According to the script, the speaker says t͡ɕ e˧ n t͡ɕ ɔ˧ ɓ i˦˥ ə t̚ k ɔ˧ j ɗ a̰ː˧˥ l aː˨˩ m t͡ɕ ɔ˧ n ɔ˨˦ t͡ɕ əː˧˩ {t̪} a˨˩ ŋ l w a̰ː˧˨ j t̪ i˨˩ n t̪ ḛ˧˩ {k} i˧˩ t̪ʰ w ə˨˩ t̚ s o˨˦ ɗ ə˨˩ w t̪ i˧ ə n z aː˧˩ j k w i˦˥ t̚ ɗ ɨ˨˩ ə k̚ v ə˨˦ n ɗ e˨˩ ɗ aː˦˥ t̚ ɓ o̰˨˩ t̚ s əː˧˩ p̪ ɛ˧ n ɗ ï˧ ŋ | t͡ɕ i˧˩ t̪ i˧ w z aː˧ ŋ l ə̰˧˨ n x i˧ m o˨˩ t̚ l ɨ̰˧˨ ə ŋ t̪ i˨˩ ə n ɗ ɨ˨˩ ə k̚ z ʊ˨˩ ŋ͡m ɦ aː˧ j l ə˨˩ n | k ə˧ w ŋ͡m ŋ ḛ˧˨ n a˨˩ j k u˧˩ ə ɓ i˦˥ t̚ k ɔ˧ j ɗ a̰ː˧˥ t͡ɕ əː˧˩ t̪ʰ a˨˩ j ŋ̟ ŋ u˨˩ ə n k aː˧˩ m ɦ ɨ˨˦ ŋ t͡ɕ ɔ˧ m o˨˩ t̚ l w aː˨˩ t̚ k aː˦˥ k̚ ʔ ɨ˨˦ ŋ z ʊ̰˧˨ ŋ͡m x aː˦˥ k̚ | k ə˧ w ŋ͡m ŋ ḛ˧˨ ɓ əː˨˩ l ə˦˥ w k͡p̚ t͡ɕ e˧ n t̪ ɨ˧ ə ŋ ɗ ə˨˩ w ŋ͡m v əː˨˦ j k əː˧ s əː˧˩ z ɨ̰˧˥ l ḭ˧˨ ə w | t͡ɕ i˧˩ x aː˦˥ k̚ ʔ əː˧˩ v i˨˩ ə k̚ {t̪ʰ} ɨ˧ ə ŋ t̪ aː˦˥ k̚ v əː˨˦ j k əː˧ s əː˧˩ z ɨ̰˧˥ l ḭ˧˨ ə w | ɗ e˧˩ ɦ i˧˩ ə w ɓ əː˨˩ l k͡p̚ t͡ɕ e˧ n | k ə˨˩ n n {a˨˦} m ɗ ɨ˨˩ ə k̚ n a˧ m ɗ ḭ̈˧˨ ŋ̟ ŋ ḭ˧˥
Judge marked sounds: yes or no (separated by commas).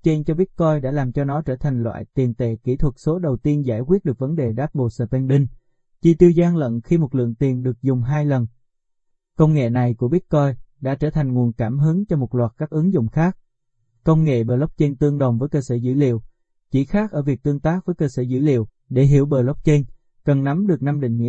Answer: no, yes, no, yes